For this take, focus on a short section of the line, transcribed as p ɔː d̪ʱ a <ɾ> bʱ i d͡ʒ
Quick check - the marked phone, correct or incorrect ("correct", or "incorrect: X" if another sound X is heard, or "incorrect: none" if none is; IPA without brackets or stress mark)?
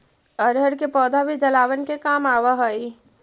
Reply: incorrect: none